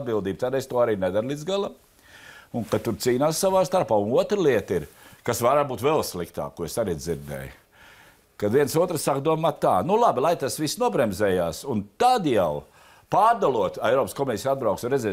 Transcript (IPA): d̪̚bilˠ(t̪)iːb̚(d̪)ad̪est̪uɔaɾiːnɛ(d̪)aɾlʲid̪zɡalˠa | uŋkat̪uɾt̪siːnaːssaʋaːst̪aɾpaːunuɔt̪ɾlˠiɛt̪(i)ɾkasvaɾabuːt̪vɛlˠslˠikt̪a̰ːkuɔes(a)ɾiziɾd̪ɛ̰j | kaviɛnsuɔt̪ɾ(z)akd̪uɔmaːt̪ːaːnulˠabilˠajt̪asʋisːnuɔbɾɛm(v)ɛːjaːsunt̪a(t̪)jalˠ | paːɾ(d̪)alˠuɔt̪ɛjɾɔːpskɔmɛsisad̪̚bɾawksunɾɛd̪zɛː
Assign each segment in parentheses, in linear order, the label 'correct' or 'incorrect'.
incorrect: d̪, incorrect: t̪, correct, correct, correct, incorrect: s, incorrect: z, incorrect: d̪, correct

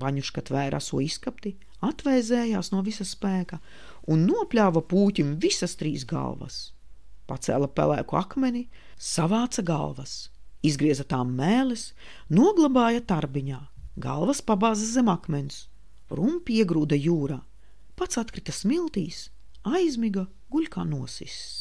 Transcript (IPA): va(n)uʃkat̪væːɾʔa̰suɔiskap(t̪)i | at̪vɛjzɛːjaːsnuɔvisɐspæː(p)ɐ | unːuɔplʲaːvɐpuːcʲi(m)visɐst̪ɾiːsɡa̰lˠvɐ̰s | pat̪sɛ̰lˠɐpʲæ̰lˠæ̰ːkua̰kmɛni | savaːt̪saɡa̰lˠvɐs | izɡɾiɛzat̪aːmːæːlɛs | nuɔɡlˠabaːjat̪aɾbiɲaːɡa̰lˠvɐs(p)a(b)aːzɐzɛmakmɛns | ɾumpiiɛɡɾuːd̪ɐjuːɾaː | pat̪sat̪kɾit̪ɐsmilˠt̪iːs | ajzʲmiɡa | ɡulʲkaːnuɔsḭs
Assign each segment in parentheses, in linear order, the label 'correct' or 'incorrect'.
incorrect: ɲ, correct, incorrect: k, correct, correct, correct

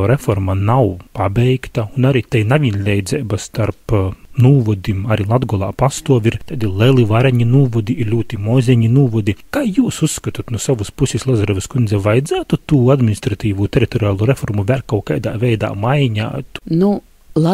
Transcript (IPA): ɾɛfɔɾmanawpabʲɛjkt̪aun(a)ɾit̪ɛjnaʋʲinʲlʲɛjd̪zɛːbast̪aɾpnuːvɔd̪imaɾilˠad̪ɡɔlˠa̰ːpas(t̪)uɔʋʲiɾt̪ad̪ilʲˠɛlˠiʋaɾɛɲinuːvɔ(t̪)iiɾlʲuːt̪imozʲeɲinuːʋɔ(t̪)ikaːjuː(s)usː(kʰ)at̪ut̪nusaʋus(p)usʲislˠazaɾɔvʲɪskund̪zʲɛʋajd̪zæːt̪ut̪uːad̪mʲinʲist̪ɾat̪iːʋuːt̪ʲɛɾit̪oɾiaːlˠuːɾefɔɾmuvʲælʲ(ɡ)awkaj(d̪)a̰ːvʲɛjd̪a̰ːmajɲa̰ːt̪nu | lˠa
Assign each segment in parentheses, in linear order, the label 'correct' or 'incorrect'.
correct, correct, incorrect: d̪, incorrect: d̪, correct, incorrect: k, correct, incorrect: k, correct

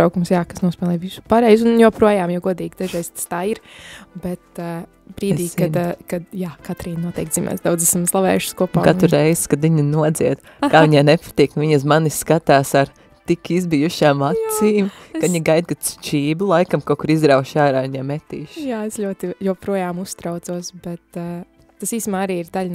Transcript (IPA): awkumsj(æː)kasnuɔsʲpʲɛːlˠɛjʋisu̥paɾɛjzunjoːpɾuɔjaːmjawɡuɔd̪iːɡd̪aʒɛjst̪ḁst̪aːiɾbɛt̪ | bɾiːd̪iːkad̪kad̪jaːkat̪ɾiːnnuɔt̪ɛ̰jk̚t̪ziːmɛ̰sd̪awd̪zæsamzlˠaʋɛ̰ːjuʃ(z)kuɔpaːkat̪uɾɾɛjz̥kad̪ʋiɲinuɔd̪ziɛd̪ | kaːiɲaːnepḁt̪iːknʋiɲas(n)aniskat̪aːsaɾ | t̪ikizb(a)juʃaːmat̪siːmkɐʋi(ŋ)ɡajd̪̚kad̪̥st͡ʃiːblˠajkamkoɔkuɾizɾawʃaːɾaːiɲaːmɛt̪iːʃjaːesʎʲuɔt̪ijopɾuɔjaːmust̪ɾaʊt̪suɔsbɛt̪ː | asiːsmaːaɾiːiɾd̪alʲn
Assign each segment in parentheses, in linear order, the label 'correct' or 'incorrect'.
incorrect: aː, incorrect: s, incorrect: m, incorrect: i, incorrect: ɲ

